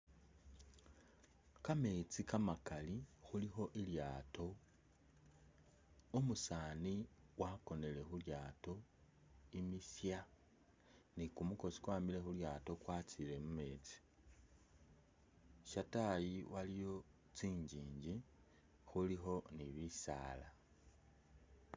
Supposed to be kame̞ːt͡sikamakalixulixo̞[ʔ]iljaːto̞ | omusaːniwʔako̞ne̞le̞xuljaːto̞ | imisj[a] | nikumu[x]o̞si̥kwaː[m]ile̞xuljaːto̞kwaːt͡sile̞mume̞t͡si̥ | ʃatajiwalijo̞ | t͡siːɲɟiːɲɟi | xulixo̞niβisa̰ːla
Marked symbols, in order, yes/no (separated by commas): yes, yes, no, yes